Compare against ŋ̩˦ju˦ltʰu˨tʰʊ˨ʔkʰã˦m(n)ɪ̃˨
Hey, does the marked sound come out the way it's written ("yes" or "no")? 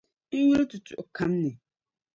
yes